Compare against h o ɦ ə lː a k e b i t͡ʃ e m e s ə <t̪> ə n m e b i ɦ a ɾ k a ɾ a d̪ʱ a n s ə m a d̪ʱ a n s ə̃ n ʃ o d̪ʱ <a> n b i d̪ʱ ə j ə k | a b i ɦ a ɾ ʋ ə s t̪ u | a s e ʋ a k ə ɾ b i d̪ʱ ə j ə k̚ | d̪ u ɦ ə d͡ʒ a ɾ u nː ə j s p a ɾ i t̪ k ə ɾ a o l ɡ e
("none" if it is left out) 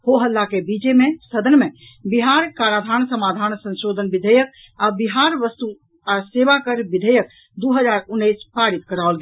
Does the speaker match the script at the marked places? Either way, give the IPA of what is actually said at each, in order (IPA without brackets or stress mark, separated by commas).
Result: d̪, ə